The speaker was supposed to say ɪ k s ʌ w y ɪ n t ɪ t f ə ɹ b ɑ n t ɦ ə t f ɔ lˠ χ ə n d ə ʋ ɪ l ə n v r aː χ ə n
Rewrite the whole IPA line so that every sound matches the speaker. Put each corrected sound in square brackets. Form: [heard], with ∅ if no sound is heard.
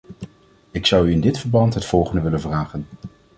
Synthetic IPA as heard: ɪ k s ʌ w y ɪ n [d] ɪ t f ə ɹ b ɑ n t ɦ ə t f ɔ lˠ χ ə n d ə ʋ ɪ l ə n v r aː χ ə n